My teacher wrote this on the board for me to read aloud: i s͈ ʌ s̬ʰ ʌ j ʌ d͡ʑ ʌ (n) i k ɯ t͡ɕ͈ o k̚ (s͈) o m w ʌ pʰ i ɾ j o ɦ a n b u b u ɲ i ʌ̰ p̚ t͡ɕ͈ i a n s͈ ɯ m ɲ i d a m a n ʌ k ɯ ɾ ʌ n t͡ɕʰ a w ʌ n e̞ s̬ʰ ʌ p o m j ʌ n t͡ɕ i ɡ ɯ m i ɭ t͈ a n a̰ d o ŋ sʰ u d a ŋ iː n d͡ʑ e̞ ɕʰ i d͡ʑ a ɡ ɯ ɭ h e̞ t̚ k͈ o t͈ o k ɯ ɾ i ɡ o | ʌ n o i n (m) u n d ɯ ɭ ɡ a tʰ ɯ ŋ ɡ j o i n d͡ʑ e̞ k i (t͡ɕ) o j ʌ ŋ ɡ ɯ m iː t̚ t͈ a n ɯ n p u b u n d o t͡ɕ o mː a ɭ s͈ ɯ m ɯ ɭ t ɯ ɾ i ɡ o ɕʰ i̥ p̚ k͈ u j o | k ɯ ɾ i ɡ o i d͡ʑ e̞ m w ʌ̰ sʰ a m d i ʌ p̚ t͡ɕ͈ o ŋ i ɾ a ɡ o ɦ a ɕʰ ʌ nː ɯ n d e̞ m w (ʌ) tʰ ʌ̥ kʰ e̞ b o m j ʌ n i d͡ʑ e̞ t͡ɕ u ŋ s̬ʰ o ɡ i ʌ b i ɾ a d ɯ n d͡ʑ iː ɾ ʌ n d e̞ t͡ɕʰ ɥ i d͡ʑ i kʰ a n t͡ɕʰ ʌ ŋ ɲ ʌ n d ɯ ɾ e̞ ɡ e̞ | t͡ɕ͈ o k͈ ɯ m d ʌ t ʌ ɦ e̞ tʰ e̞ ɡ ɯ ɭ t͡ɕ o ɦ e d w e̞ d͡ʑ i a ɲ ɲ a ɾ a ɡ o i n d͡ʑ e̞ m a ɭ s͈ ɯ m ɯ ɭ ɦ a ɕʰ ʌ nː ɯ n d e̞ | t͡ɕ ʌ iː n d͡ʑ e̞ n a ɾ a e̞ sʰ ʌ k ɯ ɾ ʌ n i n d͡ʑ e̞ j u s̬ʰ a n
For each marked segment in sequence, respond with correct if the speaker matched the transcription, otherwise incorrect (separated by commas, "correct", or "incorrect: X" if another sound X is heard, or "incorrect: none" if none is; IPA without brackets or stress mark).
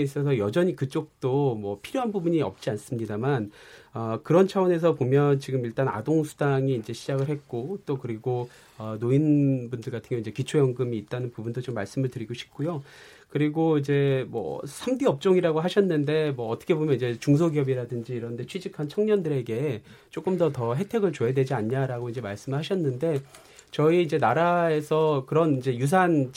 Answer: incorrect: ɲ, incorrect: t͈, incorrect: b, incorrect: t͡ɕʰ, incorrect: ʌː